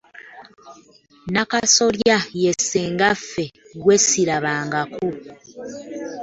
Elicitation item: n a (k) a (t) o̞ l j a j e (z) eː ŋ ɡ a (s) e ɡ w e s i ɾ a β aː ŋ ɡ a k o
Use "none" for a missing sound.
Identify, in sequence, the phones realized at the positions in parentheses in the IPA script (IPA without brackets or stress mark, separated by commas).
k, s, s, f